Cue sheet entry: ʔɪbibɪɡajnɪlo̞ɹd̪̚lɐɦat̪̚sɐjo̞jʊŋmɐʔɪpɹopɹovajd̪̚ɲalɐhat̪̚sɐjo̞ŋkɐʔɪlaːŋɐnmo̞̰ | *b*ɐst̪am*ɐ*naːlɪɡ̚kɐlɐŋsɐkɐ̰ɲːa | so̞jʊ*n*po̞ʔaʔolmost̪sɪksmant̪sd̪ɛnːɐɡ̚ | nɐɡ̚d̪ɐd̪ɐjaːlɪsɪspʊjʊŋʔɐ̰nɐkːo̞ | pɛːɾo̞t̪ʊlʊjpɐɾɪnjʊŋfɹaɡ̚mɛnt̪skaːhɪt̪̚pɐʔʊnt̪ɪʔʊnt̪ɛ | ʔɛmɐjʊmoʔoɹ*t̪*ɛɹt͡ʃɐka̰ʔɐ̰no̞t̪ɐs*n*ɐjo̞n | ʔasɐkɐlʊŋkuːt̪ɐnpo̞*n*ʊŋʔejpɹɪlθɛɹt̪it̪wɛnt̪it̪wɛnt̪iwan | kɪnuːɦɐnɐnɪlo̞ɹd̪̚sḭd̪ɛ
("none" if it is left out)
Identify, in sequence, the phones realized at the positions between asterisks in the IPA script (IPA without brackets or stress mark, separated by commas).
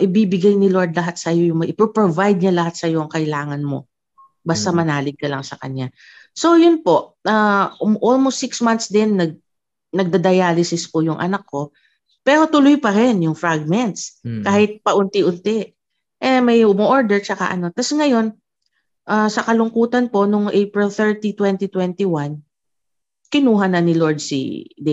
b, ɐ, n, d̪, ŋ, n